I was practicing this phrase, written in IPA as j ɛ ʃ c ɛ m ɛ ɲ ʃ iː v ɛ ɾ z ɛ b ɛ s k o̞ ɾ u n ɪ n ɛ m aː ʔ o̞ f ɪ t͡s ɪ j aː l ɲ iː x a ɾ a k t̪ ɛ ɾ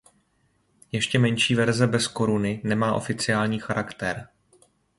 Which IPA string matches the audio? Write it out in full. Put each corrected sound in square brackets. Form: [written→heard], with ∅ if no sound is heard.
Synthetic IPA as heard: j ɛ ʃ c ɛ m ɛ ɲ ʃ iː v ɛ ɾ z ɛ b ɛ s k o̞ ɾ u n ɪ n ɛ m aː ʔ o̞ f ɪ t͡s ɪ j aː l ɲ iː x a ɾ a k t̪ ɛ ɾ